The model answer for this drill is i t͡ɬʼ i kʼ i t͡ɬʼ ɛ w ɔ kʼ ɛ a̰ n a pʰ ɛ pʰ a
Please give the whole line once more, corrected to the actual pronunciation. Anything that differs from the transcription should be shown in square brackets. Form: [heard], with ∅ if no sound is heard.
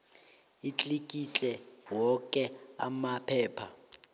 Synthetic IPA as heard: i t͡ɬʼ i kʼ i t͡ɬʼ ɛ w ɔ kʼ ɛ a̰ [m] a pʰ [ɛː] pʰ a